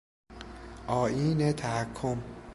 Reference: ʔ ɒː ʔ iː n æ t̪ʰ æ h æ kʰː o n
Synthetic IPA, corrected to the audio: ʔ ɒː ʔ iː n e t̪ʰ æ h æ kʰː o m